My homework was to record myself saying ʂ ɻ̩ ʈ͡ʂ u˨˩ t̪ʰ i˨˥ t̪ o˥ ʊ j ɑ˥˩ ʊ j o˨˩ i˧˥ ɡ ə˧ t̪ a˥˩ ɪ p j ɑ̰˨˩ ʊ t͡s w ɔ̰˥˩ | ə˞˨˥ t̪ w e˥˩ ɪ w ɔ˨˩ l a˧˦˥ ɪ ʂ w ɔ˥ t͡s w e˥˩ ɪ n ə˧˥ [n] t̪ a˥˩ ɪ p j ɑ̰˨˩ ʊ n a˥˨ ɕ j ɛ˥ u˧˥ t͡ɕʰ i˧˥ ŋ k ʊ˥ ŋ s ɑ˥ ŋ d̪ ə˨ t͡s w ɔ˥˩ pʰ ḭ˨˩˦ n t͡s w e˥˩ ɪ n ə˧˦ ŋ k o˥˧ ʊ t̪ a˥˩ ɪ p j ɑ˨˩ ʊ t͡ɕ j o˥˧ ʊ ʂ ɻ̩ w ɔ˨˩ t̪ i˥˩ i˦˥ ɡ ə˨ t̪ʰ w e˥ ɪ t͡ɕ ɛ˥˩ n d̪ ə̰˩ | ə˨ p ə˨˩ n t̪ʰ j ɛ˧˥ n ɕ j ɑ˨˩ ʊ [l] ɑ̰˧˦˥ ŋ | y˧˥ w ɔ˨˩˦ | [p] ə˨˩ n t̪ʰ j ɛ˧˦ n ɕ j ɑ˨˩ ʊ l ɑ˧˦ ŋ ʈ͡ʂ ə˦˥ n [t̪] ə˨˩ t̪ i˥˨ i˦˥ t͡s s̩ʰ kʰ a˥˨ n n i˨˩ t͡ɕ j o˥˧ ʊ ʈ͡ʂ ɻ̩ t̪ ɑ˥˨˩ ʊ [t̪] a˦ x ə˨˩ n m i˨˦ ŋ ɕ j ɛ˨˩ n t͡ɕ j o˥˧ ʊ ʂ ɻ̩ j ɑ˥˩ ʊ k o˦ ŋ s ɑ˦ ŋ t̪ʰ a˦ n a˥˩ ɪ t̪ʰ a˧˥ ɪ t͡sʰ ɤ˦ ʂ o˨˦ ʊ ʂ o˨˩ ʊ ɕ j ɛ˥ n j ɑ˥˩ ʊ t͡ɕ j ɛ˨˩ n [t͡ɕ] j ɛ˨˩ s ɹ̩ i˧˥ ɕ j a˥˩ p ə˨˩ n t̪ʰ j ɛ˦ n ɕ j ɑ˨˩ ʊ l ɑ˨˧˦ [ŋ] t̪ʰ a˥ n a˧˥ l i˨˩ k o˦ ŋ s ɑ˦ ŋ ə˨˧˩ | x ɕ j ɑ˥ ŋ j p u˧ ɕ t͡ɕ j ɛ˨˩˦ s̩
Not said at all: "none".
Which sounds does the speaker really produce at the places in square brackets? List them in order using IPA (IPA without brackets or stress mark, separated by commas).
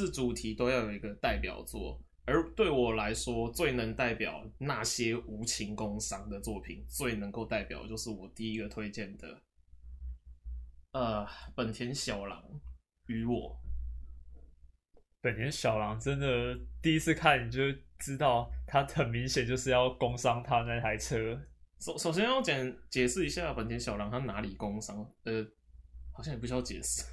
ŋ, l, p, d̪, t̪ʰ, t͡ɕ, ŋ